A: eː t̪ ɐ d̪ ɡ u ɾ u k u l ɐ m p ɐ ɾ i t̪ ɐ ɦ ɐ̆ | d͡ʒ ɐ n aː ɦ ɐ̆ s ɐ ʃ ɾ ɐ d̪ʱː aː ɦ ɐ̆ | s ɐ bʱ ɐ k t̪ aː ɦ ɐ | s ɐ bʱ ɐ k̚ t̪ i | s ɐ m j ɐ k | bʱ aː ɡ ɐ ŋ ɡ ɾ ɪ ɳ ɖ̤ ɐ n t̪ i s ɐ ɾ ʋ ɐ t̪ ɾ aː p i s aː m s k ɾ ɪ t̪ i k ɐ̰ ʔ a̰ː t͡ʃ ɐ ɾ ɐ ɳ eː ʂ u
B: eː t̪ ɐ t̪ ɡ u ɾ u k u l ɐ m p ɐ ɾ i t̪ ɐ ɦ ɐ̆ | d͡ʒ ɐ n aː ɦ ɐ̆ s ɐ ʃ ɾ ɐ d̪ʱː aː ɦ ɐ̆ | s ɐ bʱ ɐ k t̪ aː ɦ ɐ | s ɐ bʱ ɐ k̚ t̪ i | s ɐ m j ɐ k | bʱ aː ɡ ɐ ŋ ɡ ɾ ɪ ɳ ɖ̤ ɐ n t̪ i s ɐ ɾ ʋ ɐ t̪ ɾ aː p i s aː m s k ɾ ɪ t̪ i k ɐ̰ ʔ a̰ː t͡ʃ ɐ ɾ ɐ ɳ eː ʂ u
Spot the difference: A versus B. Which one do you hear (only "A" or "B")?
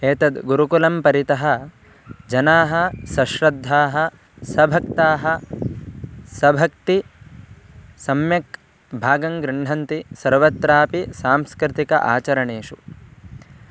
A